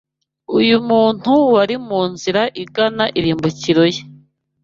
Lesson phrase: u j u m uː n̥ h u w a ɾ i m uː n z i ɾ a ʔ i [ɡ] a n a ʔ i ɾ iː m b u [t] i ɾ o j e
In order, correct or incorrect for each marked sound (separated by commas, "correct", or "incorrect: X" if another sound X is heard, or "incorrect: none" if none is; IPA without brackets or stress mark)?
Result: correct, incorrect: c